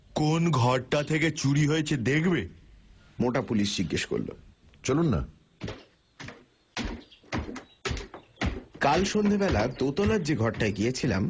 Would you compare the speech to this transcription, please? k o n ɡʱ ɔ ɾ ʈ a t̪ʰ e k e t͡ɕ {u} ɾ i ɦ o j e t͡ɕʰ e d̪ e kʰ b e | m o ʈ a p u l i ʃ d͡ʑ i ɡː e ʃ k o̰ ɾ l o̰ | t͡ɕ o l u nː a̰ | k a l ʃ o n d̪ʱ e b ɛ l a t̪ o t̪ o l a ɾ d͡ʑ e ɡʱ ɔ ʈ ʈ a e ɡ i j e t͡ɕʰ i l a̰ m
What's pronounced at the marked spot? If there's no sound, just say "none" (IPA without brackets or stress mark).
u